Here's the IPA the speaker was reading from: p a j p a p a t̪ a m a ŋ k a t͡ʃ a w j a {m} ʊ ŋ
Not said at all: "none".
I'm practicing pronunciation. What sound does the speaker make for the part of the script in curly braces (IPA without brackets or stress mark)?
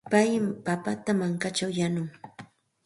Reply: n